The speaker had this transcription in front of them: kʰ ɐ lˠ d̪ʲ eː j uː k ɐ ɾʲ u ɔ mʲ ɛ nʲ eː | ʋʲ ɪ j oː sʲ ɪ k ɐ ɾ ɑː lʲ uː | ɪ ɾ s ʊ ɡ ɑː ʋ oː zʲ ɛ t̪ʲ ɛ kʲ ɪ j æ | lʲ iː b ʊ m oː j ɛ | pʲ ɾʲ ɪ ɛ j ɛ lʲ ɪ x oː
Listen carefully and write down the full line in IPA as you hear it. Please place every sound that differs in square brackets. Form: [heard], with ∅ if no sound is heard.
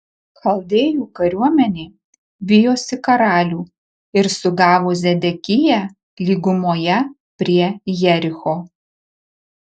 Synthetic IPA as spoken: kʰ ɐ lˠ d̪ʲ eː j uː k ɐ ɾʲ u ɔ mʲ ɛ nʲ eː | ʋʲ ɪ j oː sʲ ɪ k ɐ ɾ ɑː lʲ uː | ɪ ɾ s ʊ ɡ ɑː ʋ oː zʲ ɛ [d̪ʲ] ɛ kʲ ɪ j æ | lʲ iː [ɡ] ʊ m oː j ɛ | pʲ ɾʲ [i] ɛ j ɛ [ɾʲ] ɪ x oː